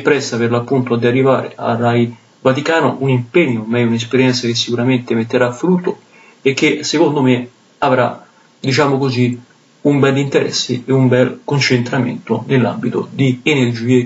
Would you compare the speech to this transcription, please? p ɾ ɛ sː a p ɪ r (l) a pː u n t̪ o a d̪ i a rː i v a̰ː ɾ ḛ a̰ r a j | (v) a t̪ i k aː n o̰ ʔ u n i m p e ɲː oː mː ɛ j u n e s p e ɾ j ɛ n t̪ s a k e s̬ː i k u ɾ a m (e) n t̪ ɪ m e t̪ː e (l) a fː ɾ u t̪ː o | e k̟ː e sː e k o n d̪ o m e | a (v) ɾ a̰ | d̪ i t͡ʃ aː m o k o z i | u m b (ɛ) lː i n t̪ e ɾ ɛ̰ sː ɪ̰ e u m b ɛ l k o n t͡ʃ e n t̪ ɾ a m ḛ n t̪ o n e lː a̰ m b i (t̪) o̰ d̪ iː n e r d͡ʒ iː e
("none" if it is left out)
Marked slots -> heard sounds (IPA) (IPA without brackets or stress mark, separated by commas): l, v, e, ɾ, v, ɛ, t̪